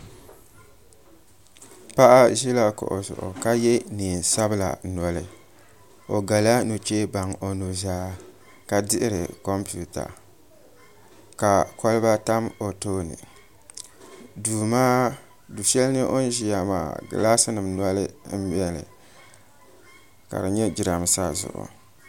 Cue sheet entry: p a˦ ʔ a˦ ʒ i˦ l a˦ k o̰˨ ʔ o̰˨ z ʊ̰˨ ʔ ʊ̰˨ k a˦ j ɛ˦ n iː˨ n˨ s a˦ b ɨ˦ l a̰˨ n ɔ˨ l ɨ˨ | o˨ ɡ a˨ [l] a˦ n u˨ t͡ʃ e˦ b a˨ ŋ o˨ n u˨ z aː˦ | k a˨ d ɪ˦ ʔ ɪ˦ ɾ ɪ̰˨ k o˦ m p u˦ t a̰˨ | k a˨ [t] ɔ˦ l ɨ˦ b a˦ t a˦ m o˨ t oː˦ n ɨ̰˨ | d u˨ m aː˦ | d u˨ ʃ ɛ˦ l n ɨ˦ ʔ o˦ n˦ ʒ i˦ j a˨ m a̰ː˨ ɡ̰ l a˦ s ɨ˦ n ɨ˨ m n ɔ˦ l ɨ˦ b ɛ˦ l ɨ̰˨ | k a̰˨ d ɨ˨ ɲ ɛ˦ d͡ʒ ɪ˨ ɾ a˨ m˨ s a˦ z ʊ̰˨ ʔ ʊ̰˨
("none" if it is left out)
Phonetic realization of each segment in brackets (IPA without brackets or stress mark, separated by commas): l, k